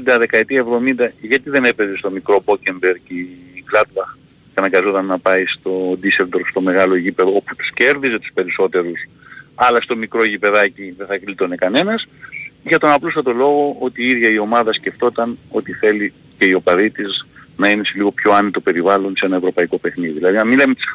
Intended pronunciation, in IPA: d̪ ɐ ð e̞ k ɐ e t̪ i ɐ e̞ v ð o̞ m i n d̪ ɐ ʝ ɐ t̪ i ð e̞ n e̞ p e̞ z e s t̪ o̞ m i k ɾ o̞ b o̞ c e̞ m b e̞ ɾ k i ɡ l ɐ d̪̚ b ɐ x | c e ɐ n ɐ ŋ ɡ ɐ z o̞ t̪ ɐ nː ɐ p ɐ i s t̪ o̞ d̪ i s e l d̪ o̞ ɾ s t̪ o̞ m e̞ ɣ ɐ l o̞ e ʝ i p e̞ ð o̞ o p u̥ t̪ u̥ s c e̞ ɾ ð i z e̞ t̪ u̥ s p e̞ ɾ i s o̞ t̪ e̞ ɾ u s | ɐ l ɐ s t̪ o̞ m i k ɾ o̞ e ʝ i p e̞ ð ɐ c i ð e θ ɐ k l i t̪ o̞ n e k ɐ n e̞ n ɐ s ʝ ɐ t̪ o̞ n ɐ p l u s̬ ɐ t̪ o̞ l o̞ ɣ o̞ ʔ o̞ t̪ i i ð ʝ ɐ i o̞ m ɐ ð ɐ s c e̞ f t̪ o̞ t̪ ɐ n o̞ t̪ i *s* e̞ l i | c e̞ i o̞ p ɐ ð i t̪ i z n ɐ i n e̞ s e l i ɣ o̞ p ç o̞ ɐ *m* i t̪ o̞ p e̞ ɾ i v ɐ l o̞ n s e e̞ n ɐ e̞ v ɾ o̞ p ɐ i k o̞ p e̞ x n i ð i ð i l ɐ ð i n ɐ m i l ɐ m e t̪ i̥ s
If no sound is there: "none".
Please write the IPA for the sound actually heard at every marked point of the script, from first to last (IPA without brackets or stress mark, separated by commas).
θ, n